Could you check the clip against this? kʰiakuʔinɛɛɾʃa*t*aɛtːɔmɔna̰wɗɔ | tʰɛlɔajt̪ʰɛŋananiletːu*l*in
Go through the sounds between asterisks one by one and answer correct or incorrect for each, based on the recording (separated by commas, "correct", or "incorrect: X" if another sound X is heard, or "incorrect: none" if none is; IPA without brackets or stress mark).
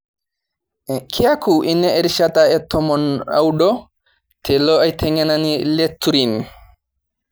correct, incorrect: ɾ